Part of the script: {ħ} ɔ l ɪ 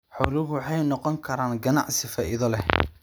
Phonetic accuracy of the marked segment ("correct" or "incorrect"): correct